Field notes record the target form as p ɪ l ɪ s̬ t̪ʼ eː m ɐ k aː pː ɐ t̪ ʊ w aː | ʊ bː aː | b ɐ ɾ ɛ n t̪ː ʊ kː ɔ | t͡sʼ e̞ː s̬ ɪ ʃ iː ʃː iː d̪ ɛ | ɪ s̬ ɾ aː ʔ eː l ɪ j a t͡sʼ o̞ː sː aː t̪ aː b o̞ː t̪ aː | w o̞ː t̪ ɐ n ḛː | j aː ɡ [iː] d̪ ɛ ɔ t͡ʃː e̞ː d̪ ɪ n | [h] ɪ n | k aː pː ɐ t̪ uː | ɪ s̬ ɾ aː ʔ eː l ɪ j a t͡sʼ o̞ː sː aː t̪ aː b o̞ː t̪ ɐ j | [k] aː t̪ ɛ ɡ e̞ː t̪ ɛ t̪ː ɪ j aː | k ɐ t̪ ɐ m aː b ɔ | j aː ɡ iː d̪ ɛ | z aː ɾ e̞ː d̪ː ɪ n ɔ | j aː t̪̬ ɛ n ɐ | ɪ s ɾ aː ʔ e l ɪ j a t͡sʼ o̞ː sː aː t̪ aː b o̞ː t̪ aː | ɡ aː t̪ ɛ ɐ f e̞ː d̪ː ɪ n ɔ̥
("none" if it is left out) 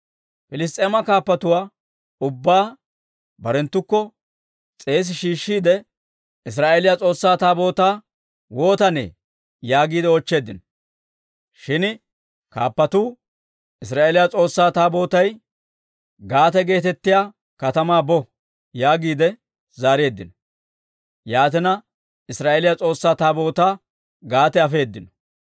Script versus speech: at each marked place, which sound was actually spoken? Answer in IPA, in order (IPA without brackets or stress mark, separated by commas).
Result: iː, ʃ, ɡ